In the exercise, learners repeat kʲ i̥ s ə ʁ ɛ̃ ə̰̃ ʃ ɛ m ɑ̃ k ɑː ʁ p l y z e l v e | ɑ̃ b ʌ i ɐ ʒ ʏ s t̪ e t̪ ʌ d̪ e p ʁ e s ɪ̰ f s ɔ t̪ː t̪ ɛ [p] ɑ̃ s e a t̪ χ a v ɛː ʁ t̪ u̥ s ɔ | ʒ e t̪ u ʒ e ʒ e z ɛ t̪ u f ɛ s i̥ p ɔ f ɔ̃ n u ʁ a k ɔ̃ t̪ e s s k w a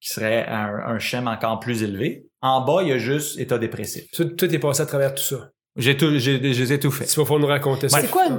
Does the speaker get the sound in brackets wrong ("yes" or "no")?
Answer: no